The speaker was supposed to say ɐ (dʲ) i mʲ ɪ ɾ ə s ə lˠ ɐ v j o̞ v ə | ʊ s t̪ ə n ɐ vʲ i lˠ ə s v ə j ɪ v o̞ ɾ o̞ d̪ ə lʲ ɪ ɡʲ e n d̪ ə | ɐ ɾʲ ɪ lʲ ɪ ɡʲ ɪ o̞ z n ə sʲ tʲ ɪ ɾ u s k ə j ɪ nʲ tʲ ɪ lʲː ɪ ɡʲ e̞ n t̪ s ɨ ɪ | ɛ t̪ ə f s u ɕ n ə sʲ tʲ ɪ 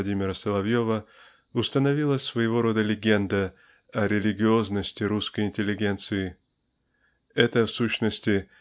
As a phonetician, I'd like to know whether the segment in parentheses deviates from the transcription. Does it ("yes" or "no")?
no